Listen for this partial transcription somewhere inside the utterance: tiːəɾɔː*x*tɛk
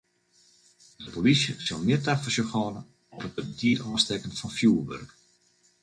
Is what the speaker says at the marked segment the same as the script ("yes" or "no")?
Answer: no